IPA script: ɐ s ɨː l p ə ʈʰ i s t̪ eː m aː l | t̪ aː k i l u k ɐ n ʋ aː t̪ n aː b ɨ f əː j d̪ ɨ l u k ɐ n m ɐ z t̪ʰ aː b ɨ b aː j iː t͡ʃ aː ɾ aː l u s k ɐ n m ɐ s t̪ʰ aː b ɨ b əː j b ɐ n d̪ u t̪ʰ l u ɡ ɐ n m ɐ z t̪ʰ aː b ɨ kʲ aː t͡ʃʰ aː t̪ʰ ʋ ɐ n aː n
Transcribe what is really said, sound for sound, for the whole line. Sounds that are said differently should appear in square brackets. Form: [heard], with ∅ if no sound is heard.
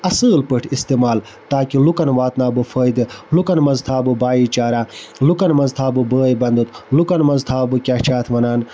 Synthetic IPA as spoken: ɐ s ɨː l p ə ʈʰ i s t̪ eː m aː l | t̪ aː k i l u k ɐ n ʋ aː t̪ n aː b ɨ f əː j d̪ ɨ l u k ɐ n m ɐ z t̪ʰ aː b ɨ b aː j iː t͡ʃ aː ɾ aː l u [∅] k ɐ n m ɐ [z] t̪ʰ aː b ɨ b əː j b ɐ n d̪ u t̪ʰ l u [k] ɐ n m ɐ z t̪ʰ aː b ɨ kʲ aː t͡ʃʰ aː t̪ʰ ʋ ɐ n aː n